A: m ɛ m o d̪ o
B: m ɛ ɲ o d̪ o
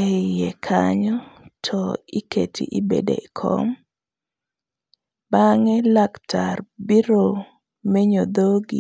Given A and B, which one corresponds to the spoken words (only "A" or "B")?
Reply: B